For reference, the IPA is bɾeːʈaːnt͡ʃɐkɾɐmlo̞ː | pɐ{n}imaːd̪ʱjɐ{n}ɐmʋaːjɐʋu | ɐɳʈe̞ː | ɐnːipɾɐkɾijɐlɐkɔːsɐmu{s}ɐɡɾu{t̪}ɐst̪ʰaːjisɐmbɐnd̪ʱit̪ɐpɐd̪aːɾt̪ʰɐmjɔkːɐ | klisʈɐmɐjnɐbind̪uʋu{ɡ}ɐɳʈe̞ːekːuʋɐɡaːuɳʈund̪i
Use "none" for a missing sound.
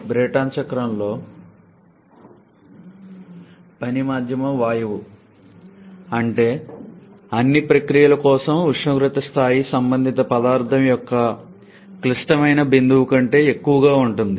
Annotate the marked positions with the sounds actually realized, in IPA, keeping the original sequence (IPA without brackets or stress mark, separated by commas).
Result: n, m, ʂ, t̪, k